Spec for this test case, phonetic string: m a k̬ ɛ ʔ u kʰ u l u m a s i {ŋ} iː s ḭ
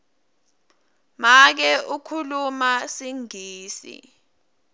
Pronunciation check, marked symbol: correct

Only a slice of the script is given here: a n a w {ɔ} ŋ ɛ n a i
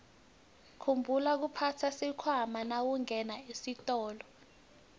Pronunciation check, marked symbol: incorrect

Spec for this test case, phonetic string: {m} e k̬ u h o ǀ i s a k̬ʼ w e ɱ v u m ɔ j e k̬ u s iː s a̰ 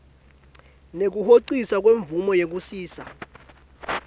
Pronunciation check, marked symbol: incorrect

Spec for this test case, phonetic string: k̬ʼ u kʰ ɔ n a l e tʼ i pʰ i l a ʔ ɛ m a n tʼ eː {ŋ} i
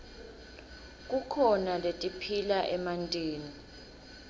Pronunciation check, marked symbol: incorrect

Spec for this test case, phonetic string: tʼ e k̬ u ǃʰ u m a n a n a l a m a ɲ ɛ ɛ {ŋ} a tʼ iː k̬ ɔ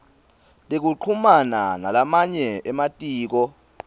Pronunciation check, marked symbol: incorrect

